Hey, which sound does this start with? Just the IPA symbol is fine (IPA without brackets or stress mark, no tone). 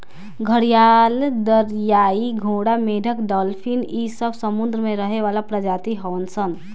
ɡʱ